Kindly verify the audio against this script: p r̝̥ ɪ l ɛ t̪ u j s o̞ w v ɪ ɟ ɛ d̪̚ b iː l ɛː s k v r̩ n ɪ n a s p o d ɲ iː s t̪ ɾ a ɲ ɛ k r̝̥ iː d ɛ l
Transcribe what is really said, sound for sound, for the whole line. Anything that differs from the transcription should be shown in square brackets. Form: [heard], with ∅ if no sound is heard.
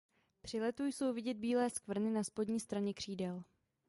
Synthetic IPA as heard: p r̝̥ ɪ l ɛ t̪ u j s o̞ w v ɪ ɟ ɛ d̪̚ b iː l ɛː s k v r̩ n ɪ n a s p o d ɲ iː s t̪ ɾ a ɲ ɛ k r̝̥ iː d ɛ l